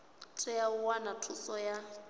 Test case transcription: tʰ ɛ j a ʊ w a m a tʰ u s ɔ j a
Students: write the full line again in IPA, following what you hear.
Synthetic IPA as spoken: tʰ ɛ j a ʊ w a n a tʰ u s ɔ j a